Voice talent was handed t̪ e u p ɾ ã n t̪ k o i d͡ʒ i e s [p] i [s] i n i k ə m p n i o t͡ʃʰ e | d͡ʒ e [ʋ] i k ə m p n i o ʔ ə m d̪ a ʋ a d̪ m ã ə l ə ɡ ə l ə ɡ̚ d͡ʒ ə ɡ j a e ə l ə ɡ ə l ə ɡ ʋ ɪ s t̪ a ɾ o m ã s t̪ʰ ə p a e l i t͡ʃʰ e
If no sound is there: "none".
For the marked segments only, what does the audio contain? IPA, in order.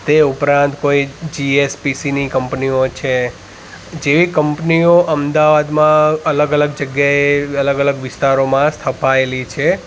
p, s, ʋ

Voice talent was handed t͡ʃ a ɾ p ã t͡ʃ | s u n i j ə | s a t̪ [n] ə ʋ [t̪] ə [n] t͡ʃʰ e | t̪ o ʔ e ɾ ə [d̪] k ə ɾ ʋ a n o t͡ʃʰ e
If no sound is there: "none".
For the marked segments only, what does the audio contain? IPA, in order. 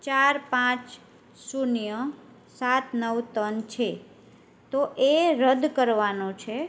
n, t̪, n, d̪

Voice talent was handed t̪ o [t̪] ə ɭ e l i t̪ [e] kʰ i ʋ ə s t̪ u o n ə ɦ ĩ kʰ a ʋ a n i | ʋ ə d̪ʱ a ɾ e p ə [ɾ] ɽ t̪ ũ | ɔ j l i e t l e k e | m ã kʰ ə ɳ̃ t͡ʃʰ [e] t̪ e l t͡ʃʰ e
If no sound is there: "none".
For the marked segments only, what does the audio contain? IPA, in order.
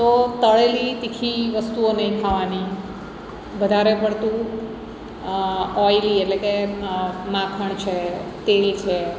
t̪, i, none, e

